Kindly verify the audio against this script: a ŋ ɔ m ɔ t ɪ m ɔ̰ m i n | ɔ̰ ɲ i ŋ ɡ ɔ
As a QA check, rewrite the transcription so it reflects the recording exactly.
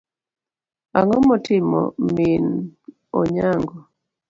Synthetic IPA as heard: a ŋ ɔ m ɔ t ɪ m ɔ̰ m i n | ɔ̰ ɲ a ŋ ɡ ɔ